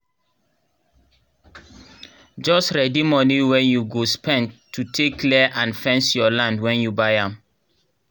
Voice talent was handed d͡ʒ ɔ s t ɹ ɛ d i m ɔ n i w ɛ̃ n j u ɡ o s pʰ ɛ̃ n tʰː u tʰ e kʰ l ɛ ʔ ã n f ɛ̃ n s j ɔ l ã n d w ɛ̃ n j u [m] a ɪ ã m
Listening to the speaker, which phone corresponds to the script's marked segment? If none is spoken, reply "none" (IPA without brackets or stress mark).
b